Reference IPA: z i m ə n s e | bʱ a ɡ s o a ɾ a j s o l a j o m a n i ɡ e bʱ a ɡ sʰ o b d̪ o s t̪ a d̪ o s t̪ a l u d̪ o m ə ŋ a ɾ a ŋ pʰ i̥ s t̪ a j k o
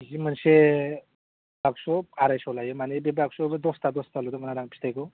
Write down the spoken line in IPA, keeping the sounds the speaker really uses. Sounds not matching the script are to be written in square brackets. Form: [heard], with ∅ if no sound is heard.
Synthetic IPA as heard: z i m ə n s e | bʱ a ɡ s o a ɾ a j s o l a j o m a n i [b] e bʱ a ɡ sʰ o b d̪ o s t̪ a d̪ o s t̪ a l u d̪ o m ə [n] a ɾ a ŋ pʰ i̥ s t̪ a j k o